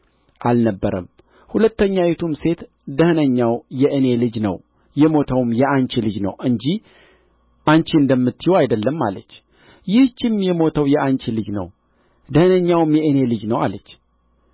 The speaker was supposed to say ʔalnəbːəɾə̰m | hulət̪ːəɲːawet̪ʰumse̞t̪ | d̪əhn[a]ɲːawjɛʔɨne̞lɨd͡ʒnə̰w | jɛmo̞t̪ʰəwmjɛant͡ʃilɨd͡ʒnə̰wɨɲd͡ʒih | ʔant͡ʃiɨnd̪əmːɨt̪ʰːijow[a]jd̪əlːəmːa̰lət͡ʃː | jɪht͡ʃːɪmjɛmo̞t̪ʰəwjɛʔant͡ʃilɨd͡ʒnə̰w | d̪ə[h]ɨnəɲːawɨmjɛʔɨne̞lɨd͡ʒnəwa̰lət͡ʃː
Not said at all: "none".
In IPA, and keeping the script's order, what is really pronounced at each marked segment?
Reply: ə, a, h

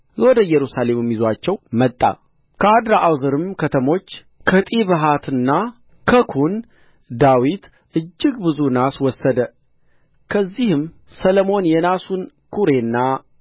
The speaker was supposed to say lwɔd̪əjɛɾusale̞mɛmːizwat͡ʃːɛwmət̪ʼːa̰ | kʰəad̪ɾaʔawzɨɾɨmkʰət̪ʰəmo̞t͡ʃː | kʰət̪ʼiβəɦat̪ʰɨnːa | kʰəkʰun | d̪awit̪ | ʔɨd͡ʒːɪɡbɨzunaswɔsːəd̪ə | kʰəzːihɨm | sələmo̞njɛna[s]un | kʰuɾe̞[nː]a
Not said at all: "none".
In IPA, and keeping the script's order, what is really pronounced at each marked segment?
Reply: s, nː

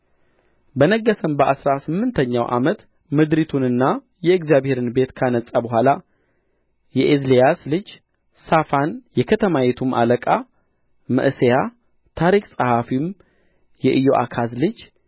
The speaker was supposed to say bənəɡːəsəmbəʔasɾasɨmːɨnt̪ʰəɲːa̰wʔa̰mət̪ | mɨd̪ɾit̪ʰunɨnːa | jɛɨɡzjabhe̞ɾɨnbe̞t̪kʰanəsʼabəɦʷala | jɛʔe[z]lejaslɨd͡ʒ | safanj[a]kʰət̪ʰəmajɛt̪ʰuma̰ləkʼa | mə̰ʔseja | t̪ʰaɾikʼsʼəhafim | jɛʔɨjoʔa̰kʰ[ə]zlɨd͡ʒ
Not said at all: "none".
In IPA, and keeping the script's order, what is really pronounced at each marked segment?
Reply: z, ɛ, a

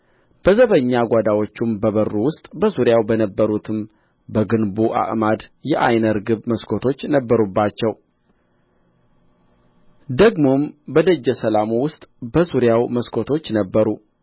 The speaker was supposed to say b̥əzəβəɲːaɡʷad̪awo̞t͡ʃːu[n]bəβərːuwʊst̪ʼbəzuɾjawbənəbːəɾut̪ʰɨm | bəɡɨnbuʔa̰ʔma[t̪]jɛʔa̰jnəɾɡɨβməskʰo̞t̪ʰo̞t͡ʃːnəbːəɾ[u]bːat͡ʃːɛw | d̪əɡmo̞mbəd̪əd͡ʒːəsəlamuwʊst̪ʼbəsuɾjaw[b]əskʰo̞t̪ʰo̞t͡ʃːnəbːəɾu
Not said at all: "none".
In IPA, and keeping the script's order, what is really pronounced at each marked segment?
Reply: m, d̪, u, m

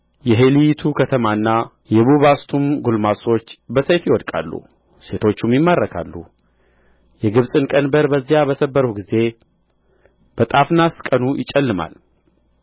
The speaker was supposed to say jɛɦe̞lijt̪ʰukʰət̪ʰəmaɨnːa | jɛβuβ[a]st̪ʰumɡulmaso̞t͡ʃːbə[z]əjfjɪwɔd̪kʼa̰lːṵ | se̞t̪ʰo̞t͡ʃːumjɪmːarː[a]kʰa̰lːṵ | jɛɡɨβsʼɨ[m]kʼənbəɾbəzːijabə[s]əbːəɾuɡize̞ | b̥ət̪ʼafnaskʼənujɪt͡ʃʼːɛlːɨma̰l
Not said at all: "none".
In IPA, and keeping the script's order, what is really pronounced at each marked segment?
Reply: a, s, ə, n, s

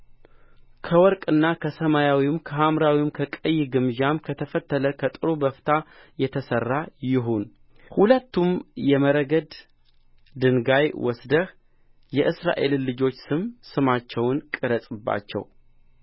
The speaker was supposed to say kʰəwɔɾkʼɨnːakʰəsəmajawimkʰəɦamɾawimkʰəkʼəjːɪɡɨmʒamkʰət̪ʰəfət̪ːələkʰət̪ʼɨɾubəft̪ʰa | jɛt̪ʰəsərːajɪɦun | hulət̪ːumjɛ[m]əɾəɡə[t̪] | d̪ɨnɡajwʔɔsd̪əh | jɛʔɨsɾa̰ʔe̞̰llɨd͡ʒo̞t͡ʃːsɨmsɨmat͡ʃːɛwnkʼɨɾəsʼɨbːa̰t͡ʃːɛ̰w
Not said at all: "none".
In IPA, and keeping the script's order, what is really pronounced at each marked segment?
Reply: m, d̪

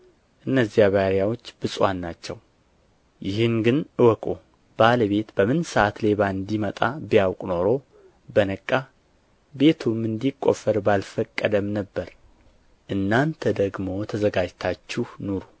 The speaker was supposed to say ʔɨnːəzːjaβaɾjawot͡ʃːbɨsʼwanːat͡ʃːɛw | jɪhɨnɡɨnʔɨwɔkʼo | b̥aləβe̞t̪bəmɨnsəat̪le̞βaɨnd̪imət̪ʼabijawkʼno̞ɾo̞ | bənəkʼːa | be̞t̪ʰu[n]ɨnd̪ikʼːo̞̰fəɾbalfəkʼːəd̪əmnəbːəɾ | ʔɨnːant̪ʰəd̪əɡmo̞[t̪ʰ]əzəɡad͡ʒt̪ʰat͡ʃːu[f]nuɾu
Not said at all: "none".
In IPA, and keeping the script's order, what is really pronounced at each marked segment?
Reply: m, t̪ʰ, h

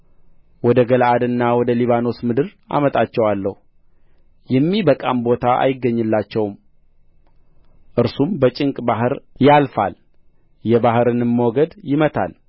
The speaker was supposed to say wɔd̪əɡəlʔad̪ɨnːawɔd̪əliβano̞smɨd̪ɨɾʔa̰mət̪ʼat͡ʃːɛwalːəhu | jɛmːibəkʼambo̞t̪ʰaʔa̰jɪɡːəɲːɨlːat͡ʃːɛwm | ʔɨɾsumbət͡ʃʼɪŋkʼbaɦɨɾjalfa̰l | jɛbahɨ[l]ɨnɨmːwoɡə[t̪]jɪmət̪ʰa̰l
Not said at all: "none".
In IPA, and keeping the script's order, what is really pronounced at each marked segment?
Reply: ɾ, d̪

